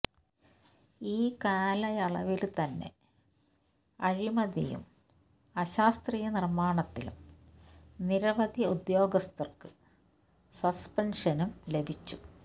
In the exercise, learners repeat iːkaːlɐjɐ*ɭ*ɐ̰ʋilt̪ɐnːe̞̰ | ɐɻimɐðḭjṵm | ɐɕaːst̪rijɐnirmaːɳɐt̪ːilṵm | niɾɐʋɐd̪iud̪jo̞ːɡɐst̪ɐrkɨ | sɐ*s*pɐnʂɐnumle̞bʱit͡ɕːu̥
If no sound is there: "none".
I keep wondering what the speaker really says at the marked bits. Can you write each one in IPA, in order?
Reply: ɭ, s

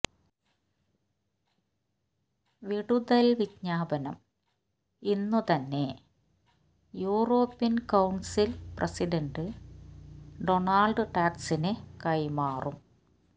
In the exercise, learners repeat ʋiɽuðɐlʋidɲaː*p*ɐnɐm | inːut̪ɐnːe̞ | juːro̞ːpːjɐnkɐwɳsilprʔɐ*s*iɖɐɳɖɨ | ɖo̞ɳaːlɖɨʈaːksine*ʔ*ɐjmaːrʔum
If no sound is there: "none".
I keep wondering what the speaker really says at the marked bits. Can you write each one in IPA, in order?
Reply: b, s, k

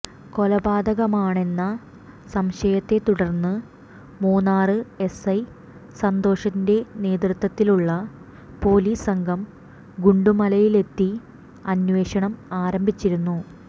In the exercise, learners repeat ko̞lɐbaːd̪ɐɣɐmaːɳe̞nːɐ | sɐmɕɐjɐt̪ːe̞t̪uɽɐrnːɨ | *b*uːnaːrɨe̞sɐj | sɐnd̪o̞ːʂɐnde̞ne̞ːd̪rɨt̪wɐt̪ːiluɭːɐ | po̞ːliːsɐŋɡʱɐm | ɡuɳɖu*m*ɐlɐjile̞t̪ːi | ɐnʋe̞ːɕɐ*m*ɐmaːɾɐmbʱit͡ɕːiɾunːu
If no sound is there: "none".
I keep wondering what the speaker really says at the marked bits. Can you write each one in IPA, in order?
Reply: m, m, ɳ

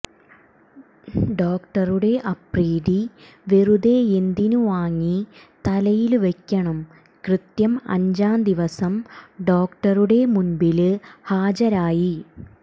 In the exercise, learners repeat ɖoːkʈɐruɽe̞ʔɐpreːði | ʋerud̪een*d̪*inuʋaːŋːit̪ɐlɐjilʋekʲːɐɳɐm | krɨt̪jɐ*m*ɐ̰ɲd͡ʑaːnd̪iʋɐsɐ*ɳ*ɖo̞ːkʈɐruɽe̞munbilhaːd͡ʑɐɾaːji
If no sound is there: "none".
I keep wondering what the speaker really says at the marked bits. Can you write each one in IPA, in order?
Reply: d̪, m, m

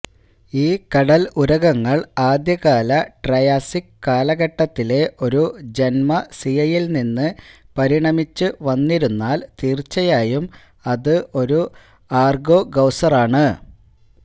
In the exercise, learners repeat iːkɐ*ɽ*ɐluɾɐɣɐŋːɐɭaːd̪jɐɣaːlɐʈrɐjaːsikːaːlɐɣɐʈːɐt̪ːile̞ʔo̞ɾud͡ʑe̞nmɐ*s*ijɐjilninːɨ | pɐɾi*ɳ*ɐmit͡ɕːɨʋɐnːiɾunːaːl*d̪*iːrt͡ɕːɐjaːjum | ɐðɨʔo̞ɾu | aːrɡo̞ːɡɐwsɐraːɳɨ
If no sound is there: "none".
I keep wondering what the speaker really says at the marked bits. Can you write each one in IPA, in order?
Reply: ɽ, s, ɳ, t̪

